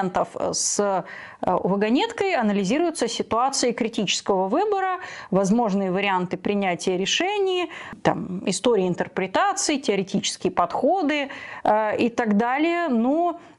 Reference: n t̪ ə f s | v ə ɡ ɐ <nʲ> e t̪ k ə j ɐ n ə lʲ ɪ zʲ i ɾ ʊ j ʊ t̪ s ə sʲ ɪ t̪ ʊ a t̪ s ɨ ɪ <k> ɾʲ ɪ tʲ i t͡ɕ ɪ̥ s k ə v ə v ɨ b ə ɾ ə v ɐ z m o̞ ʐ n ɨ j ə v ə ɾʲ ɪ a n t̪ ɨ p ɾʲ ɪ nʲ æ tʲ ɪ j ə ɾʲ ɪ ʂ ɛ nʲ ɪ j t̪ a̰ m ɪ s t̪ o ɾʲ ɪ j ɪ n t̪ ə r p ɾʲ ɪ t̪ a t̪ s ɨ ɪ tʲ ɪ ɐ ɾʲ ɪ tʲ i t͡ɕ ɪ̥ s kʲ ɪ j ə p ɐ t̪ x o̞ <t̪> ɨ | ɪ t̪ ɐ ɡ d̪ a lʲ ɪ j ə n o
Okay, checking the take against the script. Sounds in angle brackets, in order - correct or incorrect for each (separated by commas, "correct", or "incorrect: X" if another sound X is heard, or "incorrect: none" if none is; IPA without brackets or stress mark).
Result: correct, correct, incorrect: d̪